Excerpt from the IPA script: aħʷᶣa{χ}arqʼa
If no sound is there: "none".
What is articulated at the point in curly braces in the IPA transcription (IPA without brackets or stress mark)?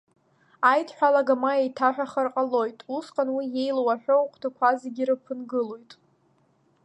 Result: χ